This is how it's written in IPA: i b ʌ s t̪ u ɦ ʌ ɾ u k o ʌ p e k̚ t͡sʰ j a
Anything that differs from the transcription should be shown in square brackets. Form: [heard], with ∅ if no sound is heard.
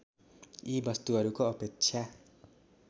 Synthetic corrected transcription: i b ʌ s t̪ u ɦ ʌ ɾ u k o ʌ p e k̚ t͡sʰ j a